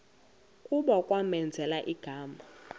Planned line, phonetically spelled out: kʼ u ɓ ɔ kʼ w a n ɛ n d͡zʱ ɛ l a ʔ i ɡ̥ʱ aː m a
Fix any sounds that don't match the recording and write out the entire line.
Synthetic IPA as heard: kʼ u ɓ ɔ kʼ w a m ɛ n d͡zʱ ɛ l a ʔ i ɡ̥ʱ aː m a

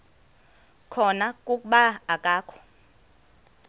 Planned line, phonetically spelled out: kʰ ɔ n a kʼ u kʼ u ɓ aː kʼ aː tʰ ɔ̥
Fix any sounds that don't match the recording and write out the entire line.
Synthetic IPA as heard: kʰ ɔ n a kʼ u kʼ u ɓ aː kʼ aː kʰ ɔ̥

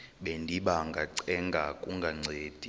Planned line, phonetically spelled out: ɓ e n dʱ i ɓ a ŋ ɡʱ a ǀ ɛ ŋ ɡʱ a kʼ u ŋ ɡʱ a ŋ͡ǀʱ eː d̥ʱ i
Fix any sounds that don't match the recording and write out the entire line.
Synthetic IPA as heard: ɓ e n dʱ i ɓ a ŋ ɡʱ a ǀ ɛ ŋ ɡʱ a kʼ u ŋ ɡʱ a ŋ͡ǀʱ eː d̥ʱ i

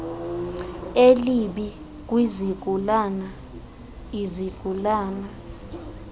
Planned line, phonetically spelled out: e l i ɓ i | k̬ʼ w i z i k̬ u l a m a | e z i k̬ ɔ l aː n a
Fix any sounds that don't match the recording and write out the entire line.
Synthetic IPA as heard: e l i ɓ i | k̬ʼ w i z i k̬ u l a n a | i z i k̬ u l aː n a

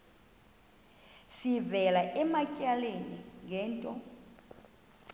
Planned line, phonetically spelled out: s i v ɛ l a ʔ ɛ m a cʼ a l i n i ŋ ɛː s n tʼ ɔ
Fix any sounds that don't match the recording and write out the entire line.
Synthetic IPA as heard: s i v ɛ l a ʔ ɛ m a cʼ a l e n i ŋ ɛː n tʼ ɔ

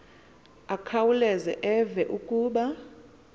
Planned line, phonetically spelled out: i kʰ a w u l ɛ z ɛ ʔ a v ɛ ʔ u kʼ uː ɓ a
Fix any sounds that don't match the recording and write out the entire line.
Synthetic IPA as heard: a kʰ a w u l ɛ z ɛ ʔ ɛ v ɛ ʔ u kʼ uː ɓ a

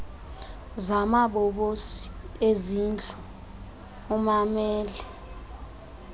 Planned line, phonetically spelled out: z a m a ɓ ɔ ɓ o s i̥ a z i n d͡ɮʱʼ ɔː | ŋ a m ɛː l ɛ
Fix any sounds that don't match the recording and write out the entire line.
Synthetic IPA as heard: z a m a ɓ ɔ ɓ o s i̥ e z i n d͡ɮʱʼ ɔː | m a m ɛː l ɛ

